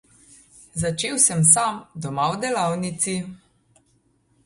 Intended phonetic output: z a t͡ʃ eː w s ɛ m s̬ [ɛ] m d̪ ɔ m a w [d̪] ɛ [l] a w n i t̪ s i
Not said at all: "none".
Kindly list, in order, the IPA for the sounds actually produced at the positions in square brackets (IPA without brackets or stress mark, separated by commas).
a, d̪, l